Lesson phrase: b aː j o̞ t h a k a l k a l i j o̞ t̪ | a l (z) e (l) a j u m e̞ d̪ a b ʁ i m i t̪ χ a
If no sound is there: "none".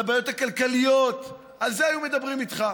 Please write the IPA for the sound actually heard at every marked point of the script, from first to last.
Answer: z, none

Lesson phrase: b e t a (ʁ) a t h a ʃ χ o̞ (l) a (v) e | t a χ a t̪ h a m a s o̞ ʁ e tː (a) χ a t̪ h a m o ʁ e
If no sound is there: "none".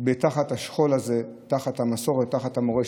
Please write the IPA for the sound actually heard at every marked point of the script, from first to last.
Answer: χ, l, z, a

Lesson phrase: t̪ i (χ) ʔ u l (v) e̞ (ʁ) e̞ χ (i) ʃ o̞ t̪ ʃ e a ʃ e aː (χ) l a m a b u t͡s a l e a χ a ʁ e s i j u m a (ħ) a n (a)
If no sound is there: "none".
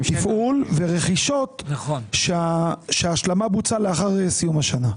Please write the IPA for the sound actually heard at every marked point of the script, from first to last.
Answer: f, v, ʁ, i, ʃ, ʃ, a

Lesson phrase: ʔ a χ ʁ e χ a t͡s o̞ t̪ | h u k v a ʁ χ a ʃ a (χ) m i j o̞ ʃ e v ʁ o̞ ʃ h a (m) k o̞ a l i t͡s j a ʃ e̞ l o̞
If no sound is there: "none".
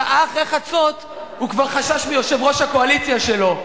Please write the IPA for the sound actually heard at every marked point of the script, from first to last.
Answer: ʃ, none

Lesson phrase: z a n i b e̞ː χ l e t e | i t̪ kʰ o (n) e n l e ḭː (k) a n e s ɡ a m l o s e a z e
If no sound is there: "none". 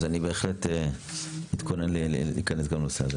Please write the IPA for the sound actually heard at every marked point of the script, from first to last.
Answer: n, k

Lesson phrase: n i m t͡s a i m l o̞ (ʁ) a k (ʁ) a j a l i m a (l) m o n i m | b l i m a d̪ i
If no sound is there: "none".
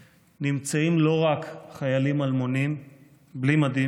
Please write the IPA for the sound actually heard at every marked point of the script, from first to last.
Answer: ʁ, χ, l

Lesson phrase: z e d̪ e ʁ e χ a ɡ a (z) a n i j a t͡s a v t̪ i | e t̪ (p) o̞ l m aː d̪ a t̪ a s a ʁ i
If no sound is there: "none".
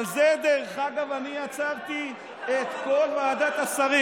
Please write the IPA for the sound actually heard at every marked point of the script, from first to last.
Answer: v, k

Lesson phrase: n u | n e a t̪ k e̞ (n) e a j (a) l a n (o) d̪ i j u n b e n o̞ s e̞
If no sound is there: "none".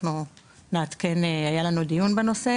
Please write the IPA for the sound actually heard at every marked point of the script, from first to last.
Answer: n, a, u

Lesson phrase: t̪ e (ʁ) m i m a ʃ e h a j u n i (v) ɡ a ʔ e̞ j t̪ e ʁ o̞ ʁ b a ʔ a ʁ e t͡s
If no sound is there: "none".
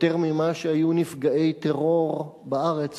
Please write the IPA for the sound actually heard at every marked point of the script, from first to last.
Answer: ʁ, f

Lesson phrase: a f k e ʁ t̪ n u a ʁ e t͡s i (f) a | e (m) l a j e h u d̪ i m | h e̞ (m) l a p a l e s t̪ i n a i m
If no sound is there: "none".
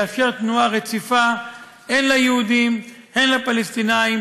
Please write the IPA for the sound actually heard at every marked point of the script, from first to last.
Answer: f, n, n

